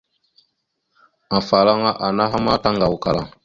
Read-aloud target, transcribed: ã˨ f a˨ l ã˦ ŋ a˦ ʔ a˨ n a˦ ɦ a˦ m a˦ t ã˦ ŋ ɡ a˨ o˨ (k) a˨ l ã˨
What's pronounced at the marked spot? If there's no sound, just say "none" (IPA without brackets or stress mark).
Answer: k